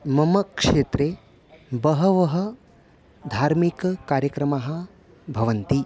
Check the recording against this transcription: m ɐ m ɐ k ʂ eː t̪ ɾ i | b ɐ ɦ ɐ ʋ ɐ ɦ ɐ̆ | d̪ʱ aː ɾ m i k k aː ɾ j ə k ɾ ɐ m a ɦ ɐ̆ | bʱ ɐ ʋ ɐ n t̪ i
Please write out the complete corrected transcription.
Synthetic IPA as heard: m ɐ m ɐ k ʂ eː t̪ ɾ e | b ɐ ɦ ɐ ʋ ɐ ɦ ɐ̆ | d̪ʱ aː ɾ m i k k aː ɾ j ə k ɾ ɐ m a ɦ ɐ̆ | bʱ ɐ ʋ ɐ n t̪ i